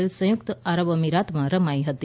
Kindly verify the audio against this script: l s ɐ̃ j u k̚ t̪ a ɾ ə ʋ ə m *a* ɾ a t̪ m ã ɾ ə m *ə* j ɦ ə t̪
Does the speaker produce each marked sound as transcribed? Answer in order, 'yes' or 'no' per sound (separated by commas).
no, no